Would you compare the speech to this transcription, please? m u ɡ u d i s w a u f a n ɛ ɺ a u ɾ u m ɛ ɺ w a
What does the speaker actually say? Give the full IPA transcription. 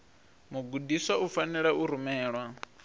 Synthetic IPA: m u ɡ u d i s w a u f a n ɛ ɺ a u ɾ u m ɛː ɺ w a